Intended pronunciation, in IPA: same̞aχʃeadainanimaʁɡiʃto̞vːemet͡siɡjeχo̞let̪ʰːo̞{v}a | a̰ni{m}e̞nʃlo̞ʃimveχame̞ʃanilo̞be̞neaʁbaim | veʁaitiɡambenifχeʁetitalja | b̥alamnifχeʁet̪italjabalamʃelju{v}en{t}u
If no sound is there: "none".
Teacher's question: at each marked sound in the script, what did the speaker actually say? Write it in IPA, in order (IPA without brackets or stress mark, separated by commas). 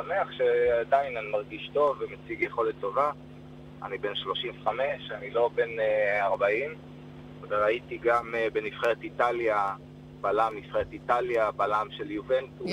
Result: v, b, v, t